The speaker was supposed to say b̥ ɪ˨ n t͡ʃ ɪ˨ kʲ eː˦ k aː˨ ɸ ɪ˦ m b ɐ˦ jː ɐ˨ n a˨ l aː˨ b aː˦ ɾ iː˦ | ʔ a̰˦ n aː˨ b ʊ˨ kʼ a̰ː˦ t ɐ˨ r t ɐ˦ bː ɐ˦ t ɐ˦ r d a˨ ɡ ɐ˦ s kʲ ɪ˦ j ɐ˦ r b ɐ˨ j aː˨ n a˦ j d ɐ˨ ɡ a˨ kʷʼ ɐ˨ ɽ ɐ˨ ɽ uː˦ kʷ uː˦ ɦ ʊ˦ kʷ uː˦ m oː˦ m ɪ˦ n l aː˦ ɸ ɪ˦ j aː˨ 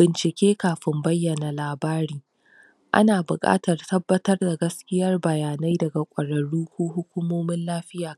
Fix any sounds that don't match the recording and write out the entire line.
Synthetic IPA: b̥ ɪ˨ n t͡ʃ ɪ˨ kʲ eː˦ k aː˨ ɸ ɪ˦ m b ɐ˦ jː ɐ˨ n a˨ l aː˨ b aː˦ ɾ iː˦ | ʔ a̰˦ n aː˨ b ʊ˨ kʼ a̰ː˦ t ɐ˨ r t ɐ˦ bː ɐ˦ t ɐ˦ r d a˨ ɡ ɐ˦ s kʲ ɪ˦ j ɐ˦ r b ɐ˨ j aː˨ n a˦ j d ɐ˨ ɡ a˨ kʷʼ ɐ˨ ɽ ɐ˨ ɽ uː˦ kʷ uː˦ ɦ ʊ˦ kʷ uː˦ m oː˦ m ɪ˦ n l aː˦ ɸ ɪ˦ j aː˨

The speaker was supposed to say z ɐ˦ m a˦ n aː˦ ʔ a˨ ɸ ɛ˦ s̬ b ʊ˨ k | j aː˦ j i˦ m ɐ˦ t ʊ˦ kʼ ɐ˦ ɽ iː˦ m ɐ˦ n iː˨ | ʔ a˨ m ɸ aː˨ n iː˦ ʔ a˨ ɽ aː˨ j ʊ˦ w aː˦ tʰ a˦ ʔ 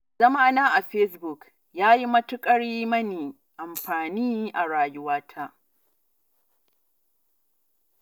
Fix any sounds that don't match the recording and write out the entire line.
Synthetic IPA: z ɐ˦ m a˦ n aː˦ ʔ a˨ ɸ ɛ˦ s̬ b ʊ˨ k | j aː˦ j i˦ m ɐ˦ t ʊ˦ kʼ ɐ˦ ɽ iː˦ m ɐ˦ n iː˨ | ʔ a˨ m ɸ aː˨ n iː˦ ʔ a˨ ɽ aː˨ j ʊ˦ w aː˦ tʰ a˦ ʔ

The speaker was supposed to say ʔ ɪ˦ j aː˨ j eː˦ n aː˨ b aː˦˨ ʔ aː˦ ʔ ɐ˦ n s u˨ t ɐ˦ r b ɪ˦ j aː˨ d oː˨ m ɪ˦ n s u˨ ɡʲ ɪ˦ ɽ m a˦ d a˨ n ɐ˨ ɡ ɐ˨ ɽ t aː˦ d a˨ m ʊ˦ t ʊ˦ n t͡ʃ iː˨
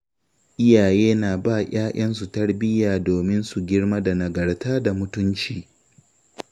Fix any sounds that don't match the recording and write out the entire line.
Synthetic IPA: ʔ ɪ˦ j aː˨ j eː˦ n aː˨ b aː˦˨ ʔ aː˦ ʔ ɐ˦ n s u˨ t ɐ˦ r b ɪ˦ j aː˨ d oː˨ m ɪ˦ n s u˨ ɡʲ ɪ˦ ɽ m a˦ d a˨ n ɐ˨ ɡ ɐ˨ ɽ t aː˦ d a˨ m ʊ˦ t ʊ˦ n t͡ʃ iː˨

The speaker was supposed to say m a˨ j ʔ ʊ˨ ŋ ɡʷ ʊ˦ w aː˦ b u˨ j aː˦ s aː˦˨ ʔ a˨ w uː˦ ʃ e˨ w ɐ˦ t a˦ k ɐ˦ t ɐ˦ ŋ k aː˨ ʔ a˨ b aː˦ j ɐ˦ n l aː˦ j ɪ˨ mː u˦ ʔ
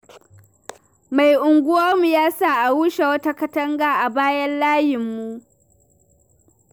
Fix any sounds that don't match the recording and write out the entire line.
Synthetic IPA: m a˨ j ʔ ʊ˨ ŋ ɡʷ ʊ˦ w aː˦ m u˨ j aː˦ s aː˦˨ ʔ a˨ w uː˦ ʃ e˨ w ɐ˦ t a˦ k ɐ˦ t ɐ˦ ŋ ɡ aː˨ ʔ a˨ b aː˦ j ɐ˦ n l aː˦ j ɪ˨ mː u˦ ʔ

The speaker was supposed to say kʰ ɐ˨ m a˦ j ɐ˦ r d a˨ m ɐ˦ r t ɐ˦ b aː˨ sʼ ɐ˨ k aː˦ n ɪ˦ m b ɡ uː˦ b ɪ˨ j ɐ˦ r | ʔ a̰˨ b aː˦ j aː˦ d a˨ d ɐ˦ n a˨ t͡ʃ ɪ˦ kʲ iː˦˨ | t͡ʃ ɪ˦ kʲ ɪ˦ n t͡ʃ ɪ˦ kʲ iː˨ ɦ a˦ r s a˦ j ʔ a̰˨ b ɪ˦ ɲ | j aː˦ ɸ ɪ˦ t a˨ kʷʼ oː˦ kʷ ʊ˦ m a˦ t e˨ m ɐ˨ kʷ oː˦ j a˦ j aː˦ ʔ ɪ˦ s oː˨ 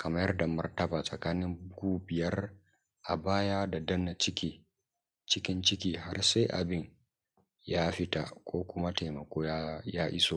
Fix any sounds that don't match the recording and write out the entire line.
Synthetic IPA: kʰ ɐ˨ m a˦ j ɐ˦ r d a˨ m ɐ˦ r t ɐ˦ b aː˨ sʼ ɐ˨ k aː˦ n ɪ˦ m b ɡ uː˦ b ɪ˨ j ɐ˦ r | ʔ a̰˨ b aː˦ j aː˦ d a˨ d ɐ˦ n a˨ t͡ʃ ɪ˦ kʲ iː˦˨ | t͡ʃ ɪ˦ kʲ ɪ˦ n t͡ʃ ɪ˦ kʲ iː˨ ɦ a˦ r s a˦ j ʔ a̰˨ b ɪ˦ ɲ | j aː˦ ɸ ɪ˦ t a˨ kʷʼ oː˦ kʷ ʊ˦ m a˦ t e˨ m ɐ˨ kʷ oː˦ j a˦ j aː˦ ʔ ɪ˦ s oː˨

